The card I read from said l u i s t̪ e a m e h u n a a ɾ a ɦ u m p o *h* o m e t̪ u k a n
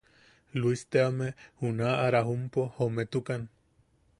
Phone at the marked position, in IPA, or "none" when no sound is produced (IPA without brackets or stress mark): h